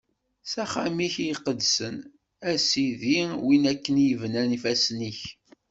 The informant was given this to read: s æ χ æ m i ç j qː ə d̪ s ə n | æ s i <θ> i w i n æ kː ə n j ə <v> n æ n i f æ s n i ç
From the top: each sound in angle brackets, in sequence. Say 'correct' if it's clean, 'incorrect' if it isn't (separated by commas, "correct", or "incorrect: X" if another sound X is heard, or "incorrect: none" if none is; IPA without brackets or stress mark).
incorrect: ð, correct